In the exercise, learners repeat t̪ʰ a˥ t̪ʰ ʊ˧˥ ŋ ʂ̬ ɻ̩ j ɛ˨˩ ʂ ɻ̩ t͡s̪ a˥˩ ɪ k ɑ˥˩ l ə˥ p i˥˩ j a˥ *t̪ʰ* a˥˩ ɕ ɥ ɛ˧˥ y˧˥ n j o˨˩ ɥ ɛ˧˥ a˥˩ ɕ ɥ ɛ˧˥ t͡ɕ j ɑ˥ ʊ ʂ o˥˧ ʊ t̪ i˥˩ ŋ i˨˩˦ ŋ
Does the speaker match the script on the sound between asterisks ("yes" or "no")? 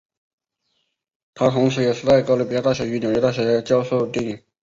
no